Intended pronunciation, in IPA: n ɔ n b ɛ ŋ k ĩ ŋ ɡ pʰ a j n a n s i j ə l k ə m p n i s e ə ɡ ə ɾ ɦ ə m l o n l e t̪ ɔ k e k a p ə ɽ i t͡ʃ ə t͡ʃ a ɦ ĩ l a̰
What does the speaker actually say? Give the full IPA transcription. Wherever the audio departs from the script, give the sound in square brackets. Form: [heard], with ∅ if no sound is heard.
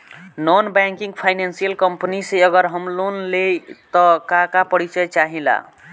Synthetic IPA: n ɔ n b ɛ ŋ k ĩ ŋ ɡ pʰ a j n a n s i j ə l k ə m p n i s e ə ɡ ə ɾ ɦ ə m l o n l e t̪ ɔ k [a] k a p ə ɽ i t͡ʃ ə t͡ʃ a ɦ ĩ l a̰